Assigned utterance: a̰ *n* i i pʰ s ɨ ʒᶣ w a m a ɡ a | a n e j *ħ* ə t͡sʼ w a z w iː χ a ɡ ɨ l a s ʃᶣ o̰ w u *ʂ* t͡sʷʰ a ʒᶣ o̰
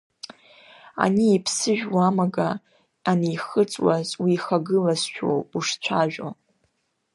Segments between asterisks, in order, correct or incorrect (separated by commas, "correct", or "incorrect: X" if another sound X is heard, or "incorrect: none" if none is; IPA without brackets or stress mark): correct, incorrect: χ, correct